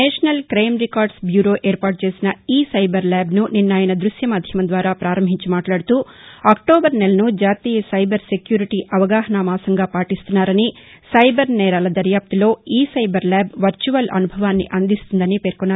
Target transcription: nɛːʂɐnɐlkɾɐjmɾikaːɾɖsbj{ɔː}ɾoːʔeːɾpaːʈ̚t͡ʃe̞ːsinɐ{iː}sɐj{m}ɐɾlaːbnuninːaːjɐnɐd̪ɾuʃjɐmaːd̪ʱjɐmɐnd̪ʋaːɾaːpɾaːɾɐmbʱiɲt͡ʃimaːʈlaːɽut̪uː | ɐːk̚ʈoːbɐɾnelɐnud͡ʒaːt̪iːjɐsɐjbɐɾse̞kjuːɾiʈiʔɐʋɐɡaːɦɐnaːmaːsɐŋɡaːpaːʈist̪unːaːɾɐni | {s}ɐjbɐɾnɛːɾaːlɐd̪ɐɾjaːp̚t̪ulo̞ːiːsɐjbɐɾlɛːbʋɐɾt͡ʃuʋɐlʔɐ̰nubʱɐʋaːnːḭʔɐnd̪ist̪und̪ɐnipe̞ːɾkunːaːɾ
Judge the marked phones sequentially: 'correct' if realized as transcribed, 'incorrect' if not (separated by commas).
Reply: incorrect, correct, incorrect, correct